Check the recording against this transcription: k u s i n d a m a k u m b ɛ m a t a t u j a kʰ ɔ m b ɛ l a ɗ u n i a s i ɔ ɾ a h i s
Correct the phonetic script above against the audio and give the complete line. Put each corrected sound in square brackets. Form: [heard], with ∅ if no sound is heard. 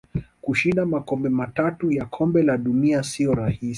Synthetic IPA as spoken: k u [ʃ] i n d a m a k [ɔ] m b ɛ m a t a t u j a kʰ ɔ m b ɛ l a ɗ u n i a s i ɔ ɾ a h i s